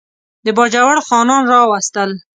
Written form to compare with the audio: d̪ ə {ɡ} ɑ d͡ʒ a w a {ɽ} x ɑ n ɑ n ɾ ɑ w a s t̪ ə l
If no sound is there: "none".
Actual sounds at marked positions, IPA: b, ɽ

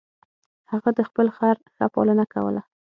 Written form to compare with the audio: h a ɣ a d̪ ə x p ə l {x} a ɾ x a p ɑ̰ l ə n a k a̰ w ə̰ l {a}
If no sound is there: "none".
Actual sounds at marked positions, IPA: x, a

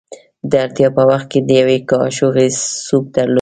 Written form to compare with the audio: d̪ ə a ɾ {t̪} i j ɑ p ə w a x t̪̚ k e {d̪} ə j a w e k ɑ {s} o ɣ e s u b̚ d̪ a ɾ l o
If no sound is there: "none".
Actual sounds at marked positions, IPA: t̪, d̪, ʃ

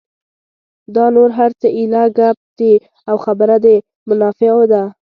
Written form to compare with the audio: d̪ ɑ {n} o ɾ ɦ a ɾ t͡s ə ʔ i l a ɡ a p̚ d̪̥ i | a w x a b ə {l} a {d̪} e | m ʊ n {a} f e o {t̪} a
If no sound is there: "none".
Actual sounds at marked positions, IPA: n, ɾ, d̪, ɑ, d̪

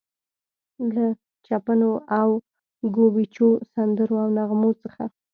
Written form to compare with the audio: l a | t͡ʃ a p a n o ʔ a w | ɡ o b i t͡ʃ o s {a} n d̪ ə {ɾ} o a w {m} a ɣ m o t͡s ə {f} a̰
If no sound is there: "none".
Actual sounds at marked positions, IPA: a, ɾ, n, x

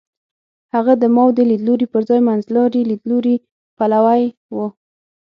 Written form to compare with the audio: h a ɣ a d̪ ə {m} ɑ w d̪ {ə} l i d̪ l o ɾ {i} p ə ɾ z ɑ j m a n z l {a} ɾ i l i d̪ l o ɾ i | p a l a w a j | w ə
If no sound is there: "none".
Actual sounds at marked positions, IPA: m, ə, i, ɑ

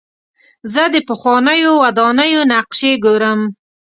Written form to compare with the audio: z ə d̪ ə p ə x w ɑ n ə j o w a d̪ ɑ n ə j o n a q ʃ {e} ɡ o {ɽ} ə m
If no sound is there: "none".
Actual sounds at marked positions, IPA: e, ɾ

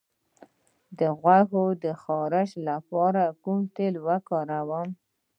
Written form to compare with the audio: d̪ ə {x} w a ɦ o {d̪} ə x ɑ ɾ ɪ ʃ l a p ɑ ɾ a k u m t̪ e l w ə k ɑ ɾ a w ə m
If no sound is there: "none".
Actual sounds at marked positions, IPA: ɣ, d̪

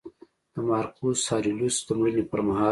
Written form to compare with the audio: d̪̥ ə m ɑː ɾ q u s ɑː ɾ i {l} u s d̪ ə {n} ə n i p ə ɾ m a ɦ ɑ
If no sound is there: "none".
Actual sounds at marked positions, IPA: l, m

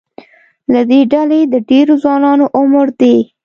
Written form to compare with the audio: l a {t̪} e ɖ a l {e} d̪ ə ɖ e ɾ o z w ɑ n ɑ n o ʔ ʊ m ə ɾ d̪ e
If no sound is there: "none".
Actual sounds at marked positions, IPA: d̪, e

